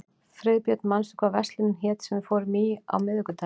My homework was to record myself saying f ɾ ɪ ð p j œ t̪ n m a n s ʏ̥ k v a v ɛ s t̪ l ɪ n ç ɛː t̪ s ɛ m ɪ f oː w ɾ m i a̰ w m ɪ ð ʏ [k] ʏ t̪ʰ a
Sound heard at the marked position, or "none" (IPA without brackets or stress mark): k